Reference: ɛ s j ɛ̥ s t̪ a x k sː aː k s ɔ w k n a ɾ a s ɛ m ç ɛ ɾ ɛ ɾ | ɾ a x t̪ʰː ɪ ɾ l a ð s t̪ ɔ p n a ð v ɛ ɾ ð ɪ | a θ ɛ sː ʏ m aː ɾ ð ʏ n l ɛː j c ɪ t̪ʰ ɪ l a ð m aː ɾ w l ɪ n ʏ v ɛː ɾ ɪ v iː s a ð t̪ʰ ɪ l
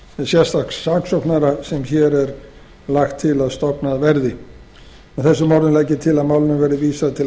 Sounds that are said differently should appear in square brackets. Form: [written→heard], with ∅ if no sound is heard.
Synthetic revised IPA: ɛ s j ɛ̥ s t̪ a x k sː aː k s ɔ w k n a ɾ a s ɛ m ç ɛ ɾ ɛ ɾ | [ɾ→l] a x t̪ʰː ɪ [ɾ→∅] l a ð s t̪ ɔ p n a ð v ɛ ɾ ð ɪ | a θ ɛ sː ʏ m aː ɾ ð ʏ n l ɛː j c ɪ t̪ʰ ɪ l a ð m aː [ɾ→∅] w l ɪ n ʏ v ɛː ɾ ɪ v iː s a ð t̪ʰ ɪ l